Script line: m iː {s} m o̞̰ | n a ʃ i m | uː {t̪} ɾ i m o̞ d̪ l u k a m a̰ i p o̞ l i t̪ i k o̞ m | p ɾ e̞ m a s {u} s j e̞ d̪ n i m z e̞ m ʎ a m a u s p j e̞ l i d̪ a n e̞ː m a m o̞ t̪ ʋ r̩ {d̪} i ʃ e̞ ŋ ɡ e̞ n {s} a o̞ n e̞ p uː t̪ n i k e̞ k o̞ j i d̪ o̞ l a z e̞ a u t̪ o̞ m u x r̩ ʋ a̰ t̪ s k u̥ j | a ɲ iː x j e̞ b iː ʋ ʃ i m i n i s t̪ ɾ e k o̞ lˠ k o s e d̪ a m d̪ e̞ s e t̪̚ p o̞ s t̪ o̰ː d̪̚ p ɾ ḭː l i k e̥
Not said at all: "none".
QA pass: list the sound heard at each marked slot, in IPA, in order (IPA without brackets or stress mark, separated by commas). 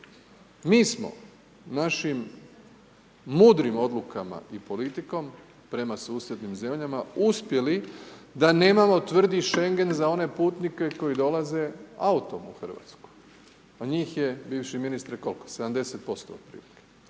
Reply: s, d̪, uː, d̪, z